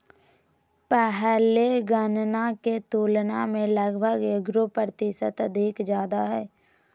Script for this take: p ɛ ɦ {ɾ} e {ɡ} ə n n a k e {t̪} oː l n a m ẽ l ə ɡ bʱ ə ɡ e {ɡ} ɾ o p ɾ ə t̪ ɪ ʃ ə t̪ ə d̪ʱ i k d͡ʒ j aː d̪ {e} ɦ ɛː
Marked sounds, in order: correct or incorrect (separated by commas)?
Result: incorrect, correct, correct, correct, incorrect